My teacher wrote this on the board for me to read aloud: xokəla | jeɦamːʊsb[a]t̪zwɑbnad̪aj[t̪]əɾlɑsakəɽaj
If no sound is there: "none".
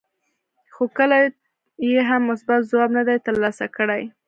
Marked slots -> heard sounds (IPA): a, t̪

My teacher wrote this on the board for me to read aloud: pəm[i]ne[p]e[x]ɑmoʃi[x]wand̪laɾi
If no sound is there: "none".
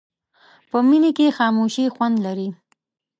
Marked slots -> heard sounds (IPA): i, k, x, x

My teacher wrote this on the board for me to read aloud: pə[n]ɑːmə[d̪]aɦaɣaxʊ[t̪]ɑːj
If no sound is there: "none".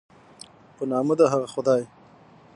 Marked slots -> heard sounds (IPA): n, d̪, d̪

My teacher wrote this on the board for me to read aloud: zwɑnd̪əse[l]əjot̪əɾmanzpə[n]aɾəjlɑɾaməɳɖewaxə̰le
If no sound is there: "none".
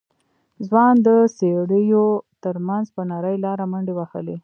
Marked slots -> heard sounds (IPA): ɽ, n

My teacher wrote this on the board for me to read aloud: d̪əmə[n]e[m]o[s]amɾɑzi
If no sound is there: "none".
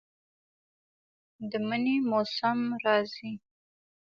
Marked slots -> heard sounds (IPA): n, m, s

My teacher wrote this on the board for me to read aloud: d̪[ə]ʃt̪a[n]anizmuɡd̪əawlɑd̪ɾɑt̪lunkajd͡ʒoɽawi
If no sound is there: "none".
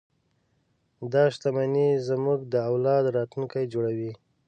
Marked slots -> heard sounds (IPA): ɑ, m

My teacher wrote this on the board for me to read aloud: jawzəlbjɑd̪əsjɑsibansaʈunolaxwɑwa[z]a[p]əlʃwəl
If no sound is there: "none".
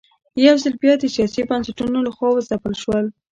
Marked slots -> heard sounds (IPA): z, p

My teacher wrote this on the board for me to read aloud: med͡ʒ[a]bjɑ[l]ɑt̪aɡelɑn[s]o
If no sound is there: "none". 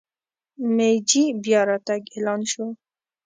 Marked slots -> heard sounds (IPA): i, ɾ, ʃ

